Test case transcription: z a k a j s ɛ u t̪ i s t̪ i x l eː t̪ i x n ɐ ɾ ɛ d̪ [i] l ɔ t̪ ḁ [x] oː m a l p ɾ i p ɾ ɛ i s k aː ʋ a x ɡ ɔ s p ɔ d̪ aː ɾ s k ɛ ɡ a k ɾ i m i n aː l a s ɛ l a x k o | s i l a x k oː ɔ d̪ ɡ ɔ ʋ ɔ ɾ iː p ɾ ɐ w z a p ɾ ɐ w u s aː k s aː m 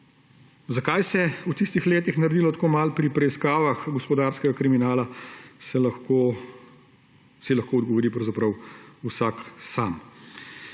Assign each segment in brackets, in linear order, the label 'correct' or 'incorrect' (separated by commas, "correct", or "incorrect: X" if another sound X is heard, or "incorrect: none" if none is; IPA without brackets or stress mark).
correct, incorrect: k